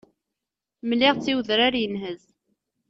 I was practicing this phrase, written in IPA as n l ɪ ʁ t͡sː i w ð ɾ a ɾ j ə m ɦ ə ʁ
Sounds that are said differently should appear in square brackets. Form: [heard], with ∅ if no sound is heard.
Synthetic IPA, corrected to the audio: [m] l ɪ ʁ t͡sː i w ð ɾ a ɾ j ə [n] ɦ ə [z]